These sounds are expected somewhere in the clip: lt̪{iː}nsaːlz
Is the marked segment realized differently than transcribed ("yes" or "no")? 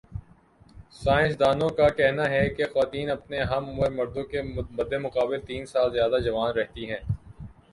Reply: no